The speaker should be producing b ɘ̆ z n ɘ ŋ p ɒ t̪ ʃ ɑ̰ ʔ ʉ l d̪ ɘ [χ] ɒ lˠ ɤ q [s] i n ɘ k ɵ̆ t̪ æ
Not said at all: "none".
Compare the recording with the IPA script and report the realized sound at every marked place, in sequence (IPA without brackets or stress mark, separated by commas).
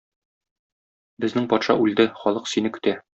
χ, s